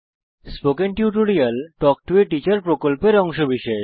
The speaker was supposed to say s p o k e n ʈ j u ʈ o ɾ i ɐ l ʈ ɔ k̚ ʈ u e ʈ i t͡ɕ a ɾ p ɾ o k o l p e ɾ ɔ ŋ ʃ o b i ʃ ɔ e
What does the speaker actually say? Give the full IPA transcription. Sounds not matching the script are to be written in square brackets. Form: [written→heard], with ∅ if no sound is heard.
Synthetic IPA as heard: s p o k e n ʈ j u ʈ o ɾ i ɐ l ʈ ɔ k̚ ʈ u e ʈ i t͡ɕ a ɾ p ɾ o k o l p e ɾ ɔ ŋ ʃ o b i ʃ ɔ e